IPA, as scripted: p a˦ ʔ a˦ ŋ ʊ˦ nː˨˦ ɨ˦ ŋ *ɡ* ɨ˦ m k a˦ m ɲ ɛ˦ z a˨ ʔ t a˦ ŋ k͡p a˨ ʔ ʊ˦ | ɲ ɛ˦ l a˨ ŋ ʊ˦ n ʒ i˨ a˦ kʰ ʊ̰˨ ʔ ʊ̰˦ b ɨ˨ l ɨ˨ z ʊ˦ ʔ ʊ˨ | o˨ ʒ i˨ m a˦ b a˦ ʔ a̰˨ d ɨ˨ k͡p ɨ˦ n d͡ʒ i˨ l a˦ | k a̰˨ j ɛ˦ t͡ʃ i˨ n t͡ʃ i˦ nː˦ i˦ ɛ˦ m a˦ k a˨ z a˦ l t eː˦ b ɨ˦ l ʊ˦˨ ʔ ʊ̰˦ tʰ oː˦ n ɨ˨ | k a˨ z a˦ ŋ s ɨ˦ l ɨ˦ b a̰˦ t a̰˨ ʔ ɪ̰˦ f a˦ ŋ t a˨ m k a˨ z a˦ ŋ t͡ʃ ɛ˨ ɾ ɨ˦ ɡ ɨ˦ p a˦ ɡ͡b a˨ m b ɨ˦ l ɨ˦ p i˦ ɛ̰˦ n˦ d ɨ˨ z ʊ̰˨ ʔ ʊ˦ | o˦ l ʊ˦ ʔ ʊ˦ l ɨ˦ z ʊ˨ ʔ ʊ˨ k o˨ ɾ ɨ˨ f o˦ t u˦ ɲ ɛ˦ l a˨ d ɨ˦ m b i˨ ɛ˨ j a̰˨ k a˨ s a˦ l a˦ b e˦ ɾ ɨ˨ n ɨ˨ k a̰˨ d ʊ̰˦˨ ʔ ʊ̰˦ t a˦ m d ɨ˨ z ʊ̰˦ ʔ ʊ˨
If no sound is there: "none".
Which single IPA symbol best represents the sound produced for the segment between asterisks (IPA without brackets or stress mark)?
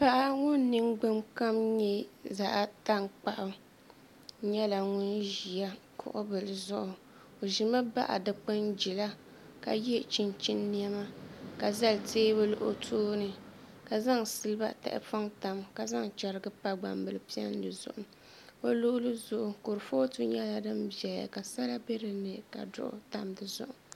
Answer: ɡ͡b